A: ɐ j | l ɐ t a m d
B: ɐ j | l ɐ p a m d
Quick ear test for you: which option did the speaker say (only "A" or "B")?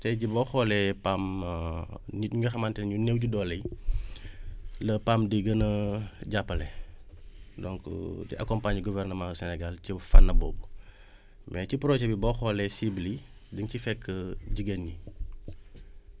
B